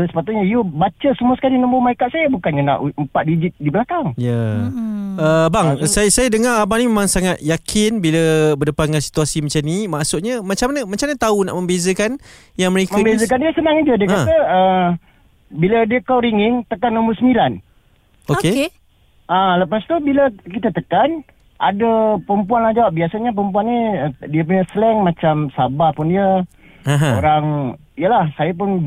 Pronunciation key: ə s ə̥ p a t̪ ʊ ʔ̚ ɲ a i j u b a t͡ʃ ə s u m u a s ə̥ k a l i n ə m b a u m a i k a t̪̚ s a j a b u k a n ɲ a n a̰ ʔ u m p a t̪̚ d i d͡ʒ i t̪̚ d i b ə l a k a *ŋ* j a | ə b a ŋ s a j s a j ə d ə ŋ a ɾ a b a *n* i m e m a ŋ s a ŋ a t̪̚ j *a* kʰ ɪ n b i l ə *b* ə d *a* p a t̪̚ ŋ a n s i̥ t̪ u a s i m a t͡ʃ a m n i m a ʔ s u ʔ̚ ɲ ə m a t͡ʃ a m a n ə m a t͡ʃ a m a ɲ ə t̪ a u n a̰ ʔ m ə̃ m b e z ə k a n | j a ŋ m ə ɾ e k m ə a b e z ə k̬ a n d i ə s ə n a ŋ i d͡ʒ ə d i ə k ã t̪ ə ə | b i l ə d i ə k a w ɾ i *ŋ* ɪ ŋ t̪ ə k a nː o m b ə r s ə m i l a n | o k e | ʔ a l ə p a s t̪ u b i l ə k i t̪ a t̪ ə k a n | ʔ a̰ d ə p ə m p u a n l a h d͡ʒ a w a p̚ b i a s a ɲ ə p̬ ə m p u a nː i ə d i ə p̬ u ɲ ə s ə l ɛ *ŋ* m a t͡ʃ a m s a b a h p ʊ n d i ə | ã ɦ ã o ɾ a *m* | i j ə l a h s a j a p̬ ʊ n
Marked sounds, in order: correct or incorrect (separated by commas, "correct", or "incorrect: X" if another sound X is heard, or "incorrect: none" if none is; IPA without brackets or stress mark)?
correct, correct, correct, correct, incorrect: ə, correct, correct, incorrect: ŋ